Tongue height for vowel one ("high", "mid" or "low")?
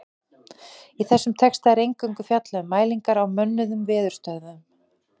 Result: high